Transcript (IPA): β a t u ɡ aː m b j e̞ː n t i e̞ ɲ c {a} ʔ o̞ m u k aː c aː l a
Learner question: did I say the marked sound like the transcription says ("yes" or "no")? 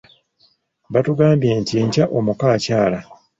yes